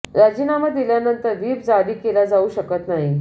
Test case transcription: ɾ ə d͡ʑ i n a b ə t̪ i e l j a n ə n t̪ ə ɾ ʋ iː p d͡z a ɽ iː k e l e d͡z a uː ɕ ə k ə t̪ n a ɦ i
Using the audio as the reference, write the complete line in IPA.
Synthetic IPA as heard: ɾ a d͡ʑ i n a m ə d̪ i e l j a n ə n t̪ ə ɾ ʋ iː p d͡z a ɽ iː k e l a d͡z a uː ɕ ə k ə t̪ n a ɦ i

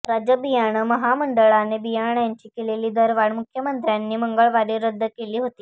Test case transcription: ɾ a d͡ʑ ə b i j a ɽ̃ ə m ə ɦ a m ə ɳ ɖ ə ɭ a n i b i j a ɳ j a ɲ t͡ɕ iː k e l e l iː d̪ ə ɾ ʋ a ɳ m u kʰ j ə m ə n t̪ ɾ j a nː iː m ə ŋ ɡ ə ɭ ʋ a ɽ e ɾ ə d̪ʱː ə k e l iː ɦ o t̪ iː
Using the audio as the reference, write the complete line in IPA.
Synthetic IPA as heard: ɾ a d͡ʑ ə b i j a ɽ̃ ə m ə ɦ a m ə ɳ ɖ ə ɭ a n e b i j a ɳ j a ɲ t͡ɕ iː k e l e l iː d̪ ə ɾ ʋ a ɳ m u kʰ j ə m ə n t̪ ɾ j a nː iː m ə ŋ ɡ ə ɭ ʋ a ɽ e ɾ ə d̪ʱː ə k e l iː ɦ o t̪ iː

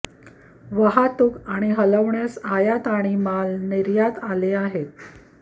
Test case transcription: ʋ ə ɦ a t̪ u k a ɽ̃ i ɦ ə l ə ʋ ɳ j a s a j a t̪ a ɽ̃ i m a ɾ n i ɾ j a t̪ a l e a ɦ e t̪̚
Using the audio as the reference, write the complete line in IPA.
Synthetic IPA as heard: ʋ ə ɦ a t̪ u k a ɽ̃ i ɦ ə l ə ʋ ɳ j a s a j a t̪ a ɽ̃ i m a l n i ɾ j a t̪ a l e a ɦ e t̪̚

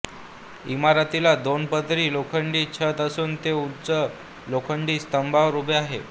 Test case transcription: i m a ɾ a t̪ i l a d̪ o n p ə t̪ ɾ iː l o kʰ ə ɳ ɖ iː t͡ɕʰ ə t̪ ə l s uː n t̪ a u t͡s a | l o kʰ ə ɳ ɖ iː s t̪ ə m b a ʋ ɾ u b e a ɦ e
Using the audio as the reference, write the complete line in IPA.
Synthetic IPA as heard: i m a ɾ a t̪ i l a d̪ o n p ə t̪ ɾ iː l o kʰ ə ɳ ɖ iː t͡ɕʰ ə t̪ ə s uː n t̪ e u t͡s ə | l o kʰ ə ɳ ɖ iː s t̪ ə m b a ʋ ɾ u b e a ɦ e

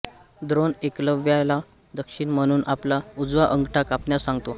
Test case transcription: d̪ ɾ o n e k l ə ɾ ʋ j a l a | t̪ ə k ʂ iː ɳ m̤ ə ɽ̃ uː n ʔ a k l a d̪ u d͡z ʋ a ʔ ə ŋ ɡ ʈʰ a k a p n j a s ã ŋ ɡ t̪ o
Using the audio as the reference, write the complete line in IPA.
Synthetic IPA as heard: d̪ ɾ o n e k l ə ʋ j a l a | d̪ ə k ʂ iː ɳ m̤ ə ɽ̃ uː n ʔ a p l a u d͡z ʋ a ʔ ə ŋ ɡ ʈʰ a k a p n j a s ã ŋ ɡ t̪ o

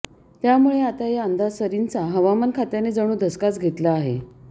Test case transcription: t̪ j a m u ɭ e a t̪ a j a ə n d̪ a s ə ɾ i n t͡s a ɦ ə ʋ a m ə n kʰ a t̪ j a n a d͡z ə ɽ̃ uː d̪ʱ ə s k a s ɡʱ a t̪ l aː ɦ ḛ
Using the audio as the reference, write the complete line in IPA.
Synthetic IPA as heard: t̪ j a m u ɭ e a t̪ a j a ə n d̪ a s ə ɾ i n t͡s a ɦ ə ʋ a m ə n kʰ a t̪ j a n e d͡z ə ɽ̃ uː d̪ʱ ə s k a t͡s ɡʱ e t̪ l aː ɦ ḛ

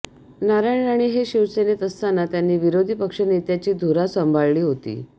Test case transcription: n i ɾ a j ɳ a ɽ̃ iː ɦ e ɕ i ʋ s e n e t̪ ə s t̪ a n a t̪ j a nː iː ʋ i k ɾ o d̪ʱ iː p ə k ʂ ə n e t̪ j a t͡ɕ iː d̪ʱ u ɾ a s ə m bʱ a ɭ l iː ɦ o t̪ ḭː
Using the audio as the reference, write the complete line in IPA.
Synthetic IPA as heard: n a ɾ a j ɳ a ɽ̃ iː ɦ e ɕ i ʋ s e n e t̪ ə s t̪ a n a t̪ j a nː iː ʋ i ɾ o d̪ʱ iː p ə k ʂ ə n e t̪ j a t͡ɕ iː d̪ʱ u ɾ a s ə m bʱ a ɭ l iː ɦ o t̪ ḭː

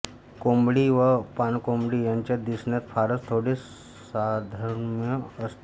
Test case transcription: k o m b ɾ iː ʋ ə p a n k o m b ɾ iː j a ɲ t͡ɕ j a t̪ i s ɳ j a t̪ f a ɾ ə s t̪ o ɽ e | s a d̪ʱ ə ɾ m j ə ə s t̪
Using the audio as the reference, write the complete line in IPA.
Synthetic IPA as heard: k o m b ɽ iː ʋ ə p a n k o m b ɽ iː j a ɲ t͡ɕ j a d̪ i s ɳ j a t̪ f a ɾ ə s t̪ʰ o ɽ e | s a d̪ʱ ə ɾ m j ə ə s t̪

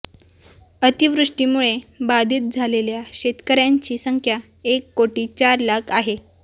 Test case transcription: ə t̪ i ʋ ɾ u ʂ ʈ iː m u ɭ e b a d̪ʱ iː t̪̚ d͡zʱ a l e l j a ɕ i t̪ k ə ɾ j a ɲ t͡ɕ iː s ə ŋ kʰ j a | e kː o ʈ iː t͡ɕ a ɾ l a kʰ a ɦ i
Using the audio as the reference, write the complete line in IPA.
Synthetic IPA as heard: ə t̪ i ʋ ɾ u ʂ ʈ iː m u ɭ e b a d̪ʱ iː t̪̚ d͡zʱ a l e l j a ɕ e t̪ k ə ɾ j a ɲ t͡ɕ iː s ə ŋ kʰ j a | e kː o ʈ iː t͡ɕ a ɾ l a kʰ a ɦ e

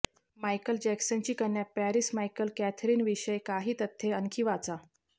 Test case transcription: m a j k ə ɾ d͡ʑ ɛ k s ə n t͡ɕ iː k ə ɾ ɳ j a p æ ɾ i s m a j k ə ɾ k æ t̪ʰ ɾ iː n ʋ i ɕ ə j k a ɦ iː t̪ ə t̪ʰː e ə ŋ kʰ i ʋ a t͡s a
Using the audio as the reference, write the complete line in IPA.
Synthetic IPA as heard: m a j k ə l d͡ʑ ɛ k s ə n t͡ɕ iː k ə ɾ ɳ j a p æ ɾ i s m a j k ə l k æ t̪ʰ ɾ iː n ʋ i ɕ ə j k a ɦ iː t̪ ə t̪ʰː e ə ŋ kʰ i ʋ a t͡s a

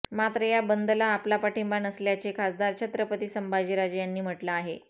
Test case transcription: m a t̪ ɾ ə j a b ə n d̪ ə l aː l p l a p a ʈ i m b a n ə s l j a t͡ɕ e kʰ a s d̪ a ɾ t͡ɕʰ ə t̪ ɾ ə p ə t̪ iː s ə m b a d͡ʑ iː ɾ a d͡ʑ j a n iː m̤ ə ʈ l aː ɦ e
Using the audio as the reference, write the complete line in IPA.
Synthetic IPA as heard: m a t̪ ɾ ə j a b ə n d̪ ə l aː p l a p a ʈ i m b a n ə s l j a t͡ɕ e kʰ a s d̪ a ɾ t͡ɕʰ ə t̪ ɾ ə p ə t̪ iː s ə m b a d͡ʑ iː ɾ a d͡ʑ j a nː iː m̤ ə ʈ l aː ɦ e

